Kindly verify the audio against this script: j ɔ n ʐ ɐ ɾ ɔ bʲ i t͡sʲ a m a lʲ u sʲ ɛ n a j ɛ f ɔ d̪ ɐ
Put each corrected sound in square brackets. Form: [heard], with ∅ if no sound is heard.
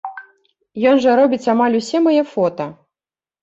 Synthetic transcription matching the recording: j ɔ n ʐ ɐ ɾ ɔ bʲ i t͡sʲ a m a lʲ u sʲ ɛ [m] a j ɛ f ɔ [t̪] ɐ